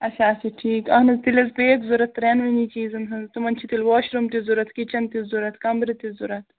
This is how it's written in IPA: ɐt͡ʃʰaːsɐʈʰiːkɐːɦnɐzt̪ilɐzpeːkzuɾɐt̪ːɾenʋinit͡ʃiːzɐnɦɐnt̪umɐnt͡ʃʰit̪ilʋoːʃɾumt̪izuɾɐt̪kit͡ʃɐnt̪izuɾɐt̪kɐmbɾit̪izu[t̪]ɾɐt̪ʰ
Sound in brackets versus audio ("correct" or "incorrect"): incorrect